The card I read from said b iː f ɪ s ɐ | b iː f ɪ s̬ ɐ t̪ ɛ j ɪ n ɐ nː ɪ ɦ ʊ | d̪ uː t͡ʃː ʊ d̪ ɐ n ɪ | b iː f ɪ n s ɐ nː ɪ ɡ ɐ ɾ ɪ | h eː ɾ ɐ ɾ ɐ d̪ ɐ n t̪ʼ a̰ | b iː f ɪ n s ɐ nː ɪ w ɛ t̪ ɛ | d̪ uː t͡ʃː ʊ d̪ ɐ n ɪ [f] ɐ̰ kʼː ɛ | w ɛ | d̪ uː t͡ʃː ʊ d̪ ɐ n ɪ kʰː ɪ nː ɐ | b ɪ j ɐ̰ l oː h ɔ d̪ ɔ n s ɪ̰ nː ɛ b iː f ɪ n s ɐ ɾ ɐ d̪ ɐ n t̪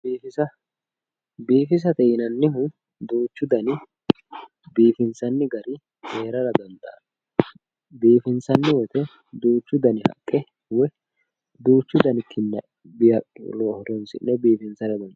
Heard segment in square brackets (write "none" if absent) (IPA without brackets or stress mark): h